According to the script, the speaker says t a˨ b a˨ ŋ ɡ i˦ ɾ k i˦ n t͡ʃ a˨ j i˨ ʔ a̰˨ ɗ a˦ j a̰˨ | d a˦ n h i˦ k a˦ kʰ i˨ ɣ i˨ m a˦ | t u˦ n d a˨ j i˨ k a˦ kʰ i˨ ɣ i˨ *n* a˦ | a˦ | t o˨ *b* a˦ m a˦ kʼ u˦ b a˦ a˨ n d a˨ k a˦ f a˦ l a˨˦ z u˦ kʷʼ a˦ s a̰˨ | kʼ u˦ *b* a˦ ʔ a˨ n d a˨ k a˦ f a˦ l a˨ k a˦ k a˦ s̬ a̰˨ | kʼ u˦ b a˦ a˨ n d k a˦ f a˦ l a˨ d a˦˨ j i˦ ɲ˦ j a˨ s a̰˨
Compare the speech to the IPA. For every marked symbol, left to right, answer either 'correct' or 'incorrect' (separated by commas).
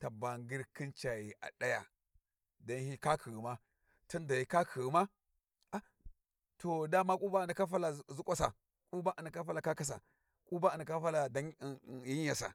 incorrect, incorrect, correct